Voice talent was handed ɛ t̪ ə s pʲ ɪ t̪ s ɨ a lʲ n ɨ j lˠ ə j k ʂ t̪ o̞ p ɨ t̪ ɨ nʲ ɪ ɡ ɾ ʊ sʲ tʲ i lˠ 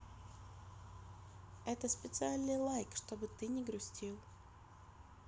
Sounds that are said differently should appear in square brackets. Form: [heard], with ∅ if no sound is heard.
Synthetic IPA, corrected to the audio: ɛ t̪ ə s pʲ ɪ t̪ s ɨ a lʲ n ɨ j lˠ [a] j k ʂ t̪ o̞ [b] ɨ t̪ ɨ nʲ ɪ ɡ ɾ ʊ sʲ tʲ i lˠ